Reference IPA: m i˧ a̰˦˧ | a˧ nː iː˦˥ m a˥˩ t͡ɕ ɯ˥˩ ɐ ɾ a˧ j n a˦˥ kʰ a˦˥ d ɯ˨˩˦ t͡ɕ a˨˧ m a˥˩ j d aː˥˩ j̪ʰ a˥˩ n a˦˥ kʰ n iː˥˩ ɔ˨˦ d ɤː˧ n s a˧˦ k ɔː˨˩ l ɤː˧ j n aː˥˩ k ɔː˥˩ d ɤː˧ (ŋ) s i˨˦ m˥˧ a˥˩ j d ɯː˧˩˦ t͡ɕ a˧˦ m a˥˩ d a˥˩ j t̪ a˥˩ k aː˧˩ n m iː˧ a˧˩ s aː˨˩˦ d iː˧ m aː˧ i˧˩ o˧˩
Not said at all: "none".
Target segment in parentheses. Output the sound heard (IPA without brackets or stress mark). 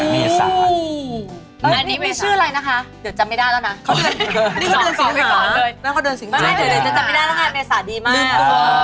n